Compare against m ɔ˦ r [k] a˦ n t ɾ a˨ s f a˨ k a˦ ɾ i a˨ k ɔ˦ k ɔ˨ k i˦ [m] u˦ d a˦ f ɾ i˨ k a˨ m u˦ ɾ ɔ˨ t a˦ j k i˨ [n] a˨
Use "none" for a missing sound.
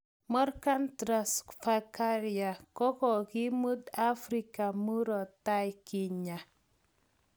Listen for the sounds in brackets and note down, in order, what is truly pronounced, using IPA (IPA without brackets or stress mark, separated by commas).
k, m, ɲ